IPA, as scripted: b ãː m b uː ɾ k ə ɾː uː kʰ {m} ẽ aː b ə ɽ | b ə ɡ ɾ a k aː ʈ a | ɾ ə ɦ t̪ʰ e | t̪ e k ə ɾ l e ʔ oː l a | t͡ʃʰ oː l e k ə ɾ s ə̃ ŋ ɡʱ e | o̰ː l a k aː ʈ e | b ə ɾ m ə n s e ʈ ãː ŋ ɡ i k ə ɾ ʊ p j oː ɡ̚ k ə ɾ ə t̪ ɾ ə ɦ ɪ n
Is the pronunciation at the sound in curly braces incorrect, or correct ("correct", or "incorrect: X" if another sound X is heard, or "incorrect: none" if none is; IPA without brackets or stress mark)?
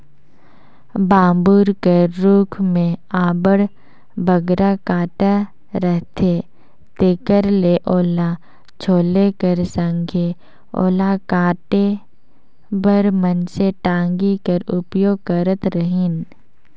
correct